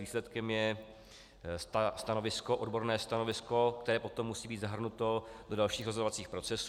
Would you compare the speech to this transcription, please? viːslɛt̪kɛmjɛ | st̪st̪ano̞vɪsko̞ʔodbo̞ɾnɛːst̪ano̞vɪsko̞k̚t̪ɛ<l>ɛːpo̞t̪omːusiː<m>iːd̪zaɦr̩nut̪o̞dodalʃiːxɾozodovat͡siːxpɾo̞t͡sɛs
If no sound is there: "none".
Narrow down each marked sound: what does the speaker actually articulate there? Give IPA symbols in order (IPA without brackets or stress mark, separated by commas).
ɾ, b